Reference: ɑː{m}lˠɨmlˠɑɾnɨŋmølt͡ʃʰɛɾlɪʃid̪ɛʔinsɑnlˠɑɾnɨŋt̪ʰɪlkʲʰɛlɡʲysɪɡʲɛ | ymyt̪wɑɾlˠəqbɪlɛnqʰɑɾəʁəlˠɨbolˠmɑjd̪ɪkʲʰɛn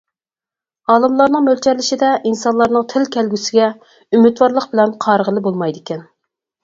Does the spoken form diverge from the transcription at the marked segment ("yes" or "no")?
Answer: yes